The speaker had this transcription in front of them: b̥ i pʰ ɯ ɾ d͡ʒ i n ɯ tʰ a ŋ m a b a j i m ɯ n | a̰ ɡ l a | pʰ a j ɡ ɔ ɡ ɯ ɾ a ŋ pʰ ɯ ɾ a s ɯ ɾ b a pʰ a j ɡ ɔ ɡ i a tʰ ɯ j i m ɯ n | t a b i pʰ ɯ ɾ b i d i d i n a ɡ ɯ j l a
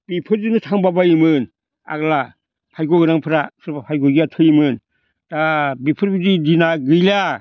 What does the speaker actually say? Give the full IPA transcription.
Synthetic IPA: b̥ i pʰ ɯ ɾ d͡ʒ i n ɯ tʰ a ŋ b a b a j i m ɯ n | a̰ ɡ l a | pʰ a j ɡ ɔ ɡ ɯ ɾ a ŋ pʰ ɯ ɾ a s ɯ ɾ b a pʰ a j ɡ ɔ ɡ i a tʰ ɯ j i m ɯ n | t a b i pʰ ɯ ɾ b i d i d i n a ɡ ɯ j l a